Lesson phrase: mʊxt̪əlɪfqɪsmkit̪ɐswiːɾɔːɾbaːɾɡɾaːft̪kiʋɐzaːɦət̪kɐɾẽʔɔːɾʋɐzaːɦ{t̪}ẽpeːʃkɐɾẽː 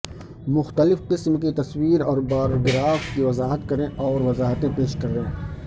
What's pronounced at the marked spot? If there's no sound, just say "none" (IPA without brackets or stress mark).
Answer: t̪